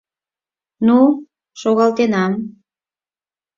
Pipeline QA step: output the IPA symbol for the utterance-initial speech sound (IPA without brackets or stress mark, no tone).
n